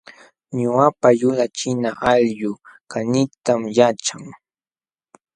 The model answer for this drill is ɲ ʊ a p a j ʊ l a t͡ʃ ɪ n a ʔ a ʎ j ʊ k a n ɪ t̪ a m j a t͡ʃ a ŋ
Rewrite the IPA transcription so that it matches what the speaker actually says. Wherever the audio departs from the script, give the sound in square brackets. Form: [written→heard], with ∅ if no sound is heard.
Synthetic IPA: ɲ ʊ a p a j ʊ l a t͡ʃ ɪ n a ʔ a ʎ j ʊ k a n ɪ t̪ a m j a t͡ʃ a ŋ